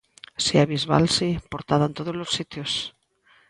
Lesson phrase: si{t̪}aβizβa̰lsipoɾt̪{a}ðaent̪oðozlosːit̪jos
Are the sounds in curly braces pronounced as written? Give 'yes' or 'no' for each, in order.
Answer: no, yes

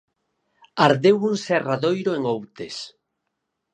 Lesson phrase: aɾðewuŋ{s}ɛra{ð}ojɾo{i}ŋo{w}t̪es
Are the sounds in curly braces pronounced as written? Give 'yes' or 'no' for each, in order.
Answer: yes, yes, no, yes

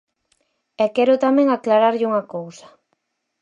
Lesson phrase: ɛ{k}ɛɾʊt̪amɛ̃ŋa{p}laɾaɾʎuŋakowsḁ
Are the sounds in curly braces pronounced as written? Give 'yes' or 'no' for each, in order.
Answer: yes, no

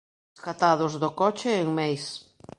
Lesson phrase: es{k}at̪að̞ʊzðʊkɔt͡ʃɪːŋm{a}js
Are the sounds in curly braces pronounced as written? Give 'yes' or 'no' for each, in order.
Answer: yes, no

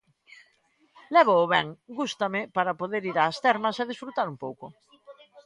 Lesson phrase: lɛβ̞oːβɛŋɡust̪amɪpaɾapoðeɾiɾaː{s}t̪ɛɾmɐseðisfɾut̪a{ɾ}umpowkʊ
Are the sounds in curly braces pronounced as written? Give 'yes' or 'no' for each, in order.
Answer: yes, yes

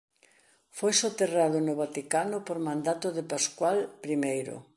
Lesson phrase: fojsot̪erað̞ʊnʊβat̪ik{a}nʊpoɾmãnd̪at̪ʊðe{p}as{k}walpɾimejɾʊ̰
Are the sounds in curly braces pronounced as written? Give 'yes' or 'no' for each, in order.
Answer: yes, yes, yes

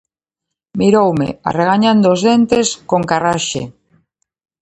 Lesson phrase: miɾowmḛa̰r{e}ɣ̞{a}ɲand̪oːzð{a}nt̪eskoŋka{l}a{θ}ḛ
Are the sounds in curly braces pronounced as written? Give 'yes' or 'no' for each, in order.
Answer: yes, yes, no, no, no

